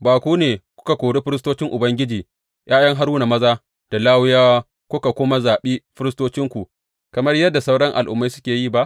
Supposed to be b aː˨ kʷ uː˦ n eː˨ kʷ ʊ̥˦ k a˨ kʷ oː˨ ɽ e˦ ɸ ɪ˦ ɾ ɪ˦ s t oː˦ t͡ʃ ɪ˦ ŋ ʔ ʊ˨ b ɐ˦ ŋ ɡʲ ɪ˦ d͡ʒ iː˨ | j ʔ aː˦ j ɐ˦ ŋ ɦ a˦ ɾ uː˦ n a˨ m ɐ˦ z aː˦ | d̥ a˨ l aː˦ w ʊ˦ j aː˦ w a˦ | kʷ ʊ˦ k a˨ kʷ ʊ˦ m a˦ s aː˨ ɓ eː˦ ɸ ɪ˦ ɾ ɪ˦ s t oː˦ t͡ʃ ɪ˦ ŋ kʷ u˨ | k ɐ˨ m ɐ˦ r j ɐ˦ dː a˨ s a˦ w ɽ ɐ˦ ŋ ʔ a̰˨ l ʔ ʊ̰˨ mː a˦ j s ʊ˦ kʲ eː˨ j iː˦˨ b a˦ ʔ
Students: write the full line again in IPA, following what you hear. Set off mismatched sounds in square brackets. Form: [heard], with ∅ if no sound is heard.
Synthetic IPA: b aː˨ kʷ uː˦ n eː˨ kʷ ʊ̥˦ k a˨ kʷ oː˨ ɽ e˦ ɸ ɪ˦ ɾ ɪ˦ s t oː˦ t͡ʃ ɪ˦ ŋ ʔ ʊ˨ b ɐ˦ ŋ ɡʲ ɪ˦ d͡ʒ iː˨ | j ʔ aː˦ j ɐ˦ ŋ ɦ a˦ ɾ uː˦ n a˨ m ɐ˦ z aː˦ | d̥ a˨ l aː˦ w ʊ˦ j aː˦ w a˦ | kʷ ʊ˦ k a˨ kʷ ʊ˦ m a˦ [z] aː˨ ɓ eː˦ ɸ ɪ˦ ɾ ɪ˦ s t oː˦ t͡ʃ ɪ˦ ŋ kʷ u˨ | k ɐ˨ m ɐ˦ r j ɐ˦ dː a˨ s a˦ w ɽ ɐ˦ ŋ ʔ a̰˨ l ʔ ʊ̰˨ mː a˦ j s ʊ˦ kʲ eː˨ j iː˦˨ b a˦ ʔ